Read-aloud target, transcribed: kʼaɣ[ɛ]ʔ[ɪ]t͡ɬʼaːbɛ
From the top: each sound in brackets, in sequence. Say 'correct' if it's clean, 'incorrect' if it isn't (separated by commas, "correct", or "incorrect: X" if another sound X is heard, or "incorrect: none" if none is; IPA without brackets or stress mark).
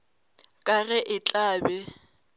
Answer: correct, correct